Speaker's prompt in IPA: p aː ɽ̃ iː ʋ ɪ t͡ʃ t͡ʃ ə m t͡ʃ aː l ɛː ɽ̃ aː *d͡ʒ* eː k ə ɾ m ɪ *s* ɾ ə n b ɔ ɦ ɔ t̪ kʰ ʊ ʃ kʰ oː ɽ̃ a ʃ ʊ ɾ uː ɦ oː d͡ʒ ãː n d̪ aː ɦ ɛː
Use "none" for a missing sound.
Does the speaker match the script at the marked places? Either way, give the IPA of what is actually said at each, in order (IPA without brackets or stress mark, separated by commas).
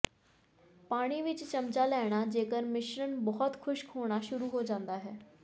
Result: d͡ʒ, ʃ